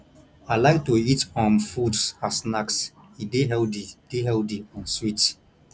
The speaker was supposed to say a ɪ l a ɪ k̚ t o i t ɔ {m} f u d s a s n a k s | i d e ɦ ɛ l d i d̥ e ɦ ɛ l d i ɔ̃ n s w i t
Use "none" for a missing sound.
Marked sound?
m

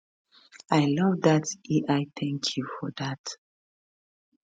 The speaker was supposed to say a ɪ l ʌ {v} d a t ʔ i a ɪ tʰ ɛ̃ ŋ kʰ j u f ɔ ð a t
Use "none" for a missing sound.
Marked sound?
v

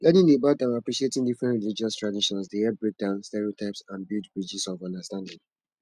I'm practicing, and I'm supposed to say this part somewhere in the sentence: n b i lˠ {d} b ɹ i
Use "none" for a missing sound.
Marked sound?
d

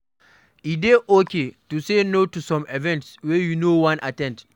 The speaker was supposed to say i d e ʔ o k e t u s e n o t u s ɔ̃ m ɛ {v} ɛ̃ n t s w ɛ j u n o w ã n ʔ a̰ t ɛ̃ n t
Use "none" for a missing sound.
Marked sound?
v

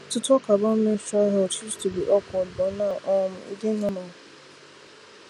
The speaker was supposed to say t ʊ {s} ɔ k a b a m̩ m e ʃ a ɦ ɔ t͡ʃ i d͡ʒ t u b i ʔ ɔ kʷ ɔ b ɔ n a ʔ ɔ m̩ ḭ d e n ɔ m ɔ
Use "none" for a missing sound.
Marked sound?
t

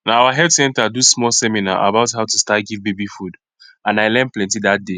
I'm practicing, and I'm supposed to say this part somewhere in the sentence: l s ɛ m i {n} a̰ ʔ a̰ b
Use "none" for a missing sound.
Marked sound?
n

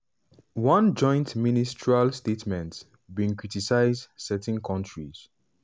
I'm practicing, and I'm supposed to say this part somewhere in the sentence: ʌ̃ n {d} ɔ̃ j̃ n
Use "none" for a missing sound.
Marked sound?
d͡ʒ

